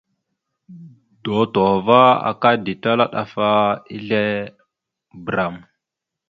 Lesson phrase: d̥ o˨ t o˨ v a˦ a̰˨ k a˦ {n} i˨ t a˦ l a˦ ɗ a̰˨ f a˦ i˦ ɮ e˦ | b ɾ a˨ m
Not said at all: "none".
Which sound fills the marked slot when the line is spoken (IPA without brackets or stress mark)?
d